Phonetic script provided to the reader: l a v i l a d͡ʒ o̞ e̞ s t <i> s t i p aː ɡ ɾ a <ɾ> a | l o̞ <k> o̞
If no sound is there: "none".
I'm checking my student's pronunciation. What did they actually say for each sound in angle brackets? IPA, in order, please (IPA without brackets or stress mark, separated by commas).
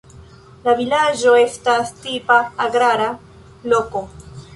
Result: a, ɾ, k